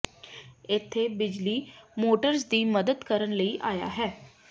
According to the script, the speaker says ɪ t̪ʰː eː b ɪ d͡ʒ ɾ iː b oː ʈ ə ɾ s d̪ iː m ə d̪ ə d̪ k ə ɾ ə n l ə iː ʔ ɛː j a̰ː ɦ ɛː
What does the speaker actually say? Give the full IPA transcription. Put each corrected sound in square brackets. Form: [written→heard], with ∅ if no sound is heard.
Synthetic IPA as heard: ɪ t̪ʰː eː b ɪ d͡ʒ [ɾ→l] iː [b→m] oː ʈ ə ɾ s d̪ iː m ə d̪ ə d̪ k ə ɾ ə n l ə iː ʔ [ɛː→aː] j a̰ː ɦ ɛː